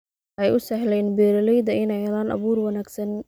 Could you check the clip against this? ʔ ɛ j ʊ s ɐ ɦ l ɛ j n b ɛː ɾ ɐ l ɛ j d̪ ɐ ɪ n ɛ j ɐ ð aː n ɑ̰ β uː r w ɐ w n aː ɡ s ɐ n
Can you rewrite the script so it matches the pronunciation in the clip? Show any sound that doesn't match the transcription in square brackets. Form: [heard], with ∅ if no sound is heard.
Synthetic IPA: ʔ ɛ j ʊ s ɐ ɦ l ɛ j n b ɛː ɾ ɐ l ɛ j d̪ ɐ ɪ n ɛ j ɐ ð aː n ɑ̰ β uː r w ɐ [∅] n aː ɡ s ɐ n